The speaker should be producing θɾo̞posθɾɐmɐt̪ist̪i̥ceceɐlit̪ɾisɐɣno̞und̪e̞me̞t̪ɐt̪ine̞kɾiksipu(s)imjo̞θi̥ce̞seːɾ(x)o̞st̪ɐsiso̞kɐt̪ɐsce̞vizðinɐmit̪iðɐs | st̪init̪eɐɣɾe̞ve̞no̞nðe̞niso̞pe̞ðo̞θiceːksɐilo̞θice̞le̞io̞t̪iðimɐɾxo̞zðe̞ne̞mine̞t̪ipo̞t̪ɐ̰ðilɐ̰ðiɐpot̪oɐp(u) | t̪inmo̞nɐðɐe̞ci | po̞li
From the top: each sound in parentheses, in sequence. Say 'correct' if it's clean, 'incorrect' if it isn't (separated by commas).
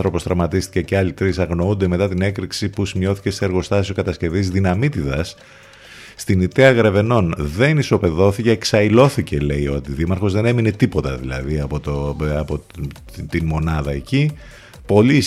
correct, incorrect, incorrect